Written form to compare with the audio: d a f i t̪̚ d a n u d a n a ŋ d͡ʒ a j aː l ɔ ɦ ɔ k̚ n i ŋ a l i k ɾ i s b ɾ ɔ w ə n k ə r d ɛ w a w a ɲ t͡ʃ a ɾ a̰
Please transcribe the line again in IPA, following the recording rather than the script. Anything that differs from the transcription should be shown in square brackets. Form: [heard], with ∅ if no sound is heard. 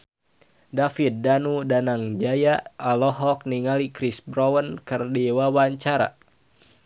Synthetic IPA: d a f i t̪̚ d a n u d a n a ŋ d͡ʒ a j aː l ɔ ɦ ɔ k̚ n i ŋ a l i k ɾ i s b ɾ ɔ w ə n k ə r d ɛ w a w a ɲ t͡ʃ a ɾ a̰